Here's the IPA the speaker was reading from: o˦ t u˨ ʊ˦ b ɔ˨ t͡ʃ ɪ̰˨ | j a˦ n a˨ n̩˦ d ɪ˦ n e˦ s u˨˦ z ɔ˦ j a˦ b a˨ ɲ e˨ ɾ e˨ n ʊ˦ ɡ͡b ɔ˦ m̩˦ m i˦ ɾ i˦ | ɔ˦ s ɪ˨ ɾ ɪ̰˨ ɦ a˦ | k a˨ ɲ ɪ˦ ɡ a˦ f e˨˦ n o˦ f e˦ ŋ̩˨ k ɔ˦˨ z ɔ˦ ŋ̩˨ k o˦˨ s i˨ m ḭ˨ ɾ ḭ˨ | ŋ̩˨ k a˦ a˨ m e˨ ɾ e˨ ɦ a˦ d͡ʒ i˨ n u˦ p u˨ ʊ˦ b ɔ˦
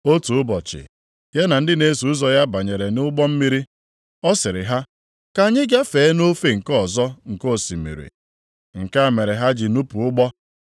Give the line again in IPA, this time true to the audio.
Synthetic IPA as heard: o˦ t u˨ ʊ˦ b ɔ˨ t͡ʃ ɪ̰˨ | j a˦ n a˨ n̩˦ d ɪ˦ n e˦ s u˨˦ z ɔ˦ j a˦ b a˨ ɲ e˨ ɾ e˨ n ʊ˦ ɡ͡b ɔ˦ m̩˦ m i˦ ɾ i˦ | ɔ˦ s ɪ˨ ɾ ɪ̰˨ ɦ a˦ | k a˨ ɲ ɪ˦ ɡ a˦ f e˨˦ n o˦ f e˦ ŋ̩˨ k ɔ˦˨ z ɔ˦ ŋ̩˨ k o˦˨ s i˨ m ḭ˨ ɾ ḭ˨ | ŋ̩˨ k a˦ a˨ m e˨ ɾ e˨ ɦ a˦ d͡ʒ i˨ n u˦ p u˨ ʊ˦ ɡ͡b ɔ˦